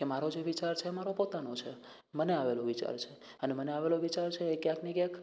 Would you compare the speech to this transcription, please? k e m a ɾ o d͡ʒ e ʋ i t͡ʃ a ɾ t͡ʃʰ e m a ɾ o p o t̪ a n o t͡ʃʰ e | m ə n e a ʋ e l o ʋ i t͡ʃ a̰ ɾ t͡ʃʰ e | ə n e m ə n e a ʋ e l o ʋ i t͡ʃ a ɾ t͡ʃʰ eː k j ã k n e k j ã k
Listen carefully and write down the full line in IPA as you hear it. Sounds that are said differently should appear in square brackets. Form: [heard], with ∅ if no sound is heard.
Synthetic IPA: k e m a ɾ o d͡ʒ e ʋ i t͡ʃ a ɾ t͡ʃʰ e m a ɾ o p o t̪ a n o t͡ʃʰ e | m ə n e a ʋ e l o ʋ i t͡ʃ a̰ ɾ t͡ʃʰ e | ə n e m ə n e a ʋ e l o ʋ i t͡ʃ a ɾ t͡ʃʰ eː k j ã k n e k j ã k